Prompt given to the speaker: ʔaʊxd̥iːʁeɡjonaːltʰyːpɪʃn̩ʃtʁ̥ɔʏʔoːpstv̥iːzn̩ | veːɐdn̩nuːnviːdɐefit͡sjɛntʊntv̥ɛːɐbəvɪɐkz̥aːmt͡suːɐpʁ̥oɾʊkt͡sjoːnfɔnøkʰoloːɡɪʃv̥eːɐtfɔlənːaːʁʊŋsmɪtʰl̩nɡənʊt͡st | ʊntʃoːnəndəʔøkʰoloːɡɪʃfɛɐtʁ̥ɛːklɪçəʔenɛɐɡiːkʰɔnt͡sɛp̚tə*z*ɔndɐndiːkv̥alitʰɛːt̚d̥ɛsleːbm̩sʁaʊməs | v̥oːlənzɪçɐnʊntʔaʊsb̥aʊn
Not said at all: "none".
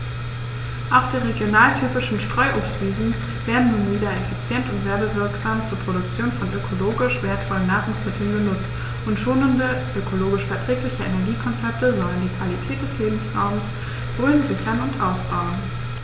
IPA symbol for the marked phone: z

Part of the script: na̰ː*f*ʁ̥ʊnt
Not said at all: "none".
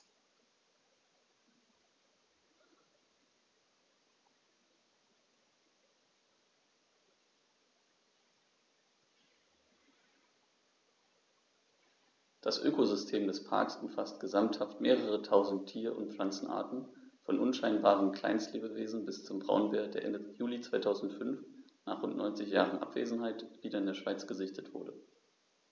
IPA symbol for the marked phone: χ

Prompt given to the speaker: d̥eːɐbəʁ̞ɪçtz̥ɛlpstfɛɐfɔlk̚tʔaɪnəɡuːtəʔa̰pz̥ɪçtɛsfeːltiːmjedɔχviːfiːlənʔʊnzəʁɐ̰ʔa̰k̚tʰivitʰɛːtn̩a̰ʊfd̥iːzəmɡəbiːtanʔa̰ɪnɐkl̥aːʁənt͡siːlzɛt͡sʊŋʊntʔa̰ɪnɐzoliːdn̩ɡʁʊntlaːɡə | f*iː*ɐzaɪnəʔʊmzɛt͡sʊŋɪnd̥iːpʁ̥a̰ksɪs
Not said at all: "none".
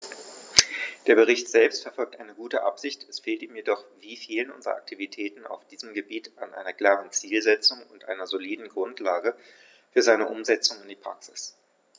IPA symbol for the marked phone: yː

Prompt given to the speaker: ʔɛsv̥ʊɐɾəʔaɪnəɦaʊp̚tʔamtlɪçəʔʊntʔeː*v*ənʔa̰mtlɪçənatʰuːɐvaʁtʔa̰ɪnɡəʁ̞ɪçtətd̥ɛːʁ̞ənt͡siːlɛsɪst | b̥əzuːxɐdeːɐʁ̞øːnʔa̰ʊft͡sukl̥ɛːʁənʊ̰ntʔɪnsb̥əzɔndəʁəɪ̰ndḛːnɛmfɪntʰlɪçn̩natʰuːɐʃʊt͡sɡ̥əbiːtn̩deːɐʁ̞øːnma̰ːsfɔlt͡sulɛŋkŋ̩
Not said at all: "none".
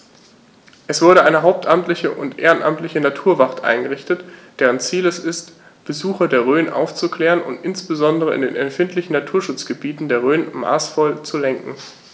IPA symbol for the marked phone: ʁ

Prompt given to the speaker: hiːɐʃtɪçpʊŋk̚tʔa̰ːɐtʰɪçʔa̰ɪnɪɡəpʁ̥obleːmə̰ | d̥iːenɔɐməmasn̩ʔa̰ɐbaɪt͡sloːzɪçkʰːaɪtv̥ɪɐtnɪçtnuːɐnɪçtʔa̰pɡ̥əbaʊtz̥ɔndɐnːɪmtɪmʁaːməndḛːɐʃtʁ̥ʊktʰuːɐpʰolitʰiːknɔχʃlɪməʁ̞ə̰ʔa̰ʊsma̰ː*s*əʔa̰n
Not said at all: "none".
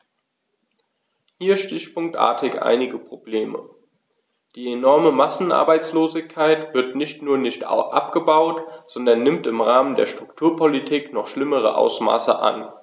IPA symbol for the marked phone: s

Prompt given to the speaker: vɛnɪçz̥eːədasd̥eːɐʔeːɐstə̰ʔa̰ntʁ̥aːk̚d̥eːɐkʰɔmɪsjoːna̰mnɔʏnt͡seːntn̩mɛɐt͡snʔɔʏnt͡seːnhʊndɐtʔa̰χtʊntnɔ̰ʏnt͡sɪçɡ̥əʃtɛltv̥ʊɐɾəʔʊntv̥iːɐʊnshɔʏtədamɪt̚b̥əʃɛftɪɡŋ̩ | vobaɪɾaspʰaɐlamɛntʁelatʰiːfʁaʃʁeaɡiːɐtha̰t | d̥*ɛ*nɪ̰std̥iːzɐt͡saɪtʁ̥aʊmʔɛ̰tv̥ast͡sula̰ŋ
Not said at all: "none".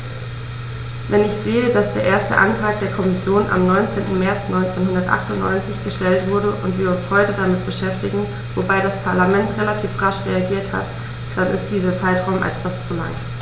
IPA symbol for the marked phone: a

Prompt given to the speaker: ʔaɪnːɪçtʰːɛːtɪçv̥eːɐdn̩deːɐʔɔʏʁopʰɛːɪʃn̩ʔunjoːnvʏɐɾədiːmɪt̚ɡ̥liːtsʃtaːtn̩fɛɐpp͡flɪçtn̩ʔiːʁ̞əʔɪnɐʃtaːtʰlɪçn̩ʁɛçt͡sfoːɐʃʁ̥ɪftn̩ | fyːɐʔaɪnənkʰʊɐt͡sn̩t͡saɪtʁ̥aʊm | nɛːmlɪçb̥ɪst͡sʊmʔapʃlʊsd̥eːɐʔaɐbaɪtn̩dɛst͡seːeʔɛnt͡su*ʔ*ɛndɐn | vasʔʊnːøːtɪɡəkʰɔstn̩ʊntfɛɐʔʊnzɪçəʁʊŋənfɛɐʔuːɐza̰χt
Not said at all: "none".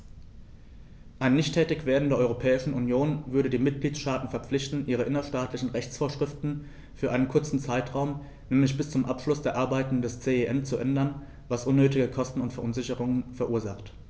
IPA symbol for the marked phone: ʔ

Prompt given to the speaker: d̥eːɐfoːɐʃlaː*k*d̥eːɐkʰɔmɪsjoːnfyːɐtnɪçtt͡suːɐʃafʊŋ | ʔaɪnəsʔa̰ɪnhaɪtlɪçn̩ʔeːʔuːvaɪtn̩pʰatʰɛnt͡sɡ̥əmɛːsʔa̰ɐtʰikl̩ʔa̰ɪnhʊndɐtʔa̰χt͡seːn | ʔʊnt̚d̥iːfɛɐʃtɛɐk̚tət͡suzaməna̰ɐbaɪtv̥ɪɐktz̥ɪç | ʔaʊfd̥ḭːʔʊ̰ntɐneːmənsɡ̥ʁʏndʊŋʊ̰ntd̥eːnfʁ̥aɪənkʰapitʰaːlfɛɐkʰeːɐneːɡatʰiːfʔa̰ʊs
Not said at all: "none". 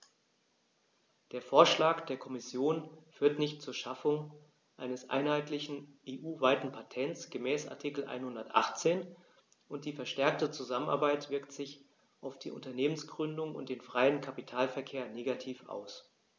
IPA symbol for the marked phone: k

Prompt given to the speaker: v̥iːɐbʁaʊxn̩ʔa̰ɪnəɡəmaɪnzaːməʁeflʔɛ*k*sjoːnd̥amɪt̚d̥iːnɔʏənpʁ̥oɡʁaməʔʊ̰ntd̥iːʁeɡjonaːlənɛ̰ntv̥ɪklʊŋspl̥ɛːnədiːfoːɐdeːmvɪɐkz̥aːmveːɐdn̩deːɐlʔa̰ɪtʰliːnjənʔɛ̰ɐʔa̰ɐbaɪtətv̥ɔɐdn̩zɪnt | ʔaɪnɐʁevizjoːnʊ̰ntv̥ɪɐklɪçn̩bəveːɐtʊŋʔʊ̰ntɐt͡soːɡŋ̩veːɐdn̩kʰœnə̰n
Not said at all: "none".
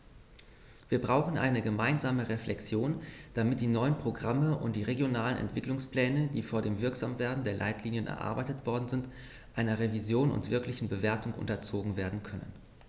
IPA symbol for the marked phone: k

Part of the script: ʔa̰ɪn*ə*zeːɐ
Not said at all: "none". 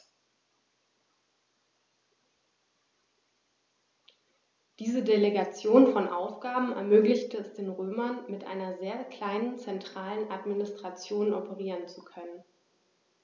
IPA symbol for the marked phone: ɐ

